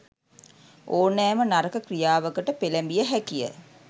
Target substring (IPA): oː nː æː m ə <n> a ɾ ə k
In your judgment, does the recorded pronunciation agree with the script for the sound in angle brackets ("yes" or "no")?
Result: yes